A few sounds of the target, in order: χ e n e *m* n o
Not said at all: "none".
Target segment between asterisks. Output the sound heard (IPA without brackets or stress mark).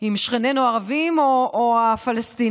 none